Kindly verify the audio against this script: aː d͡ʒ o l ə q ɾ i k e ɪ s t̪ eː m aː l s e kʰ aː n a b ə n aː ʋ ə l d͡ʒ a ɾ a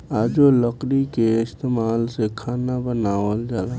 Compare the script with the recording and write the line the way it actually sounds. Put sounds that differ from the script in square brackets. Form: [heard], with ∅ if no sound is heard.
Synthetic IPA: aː d͡ʒ o l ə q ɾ i k e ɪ s t̪ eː m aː l s e kʰ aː n a b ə n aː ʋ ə l d͡ʒ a [l] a